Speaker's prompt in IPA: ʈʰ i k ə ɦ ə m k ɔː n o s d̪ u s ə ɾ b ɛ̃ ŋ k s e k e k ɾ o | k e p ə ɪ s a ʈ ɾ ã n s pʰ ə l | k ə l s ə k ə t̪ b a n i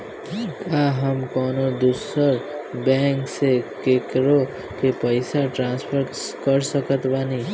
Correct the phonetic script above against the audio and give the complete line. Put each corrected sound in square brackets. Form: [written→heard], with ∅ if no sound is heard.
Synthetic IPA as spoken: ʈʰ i k [ə→a] ɦ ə m k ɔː n o [s→∅] d̪ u s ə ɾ b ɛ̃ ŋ k s e k e k ɾ o | k e p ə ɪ s a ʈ ɾ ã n s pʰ ə [l→ɾ] | k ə [l→ɾ] s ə k ə t̪ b a n i